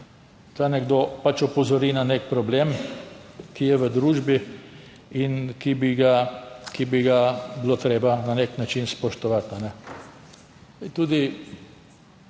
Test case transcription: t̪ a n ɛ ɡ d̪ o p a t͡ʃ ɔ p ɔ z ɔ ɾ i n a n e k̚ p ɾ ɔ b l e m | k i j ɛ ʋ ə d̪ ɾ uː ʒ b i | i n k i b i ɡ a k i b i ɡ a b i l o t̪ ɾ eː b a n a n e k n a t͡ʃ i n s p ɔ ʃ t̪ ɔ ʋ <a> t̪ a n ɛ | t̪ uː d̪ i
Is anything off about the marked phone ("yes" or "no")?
no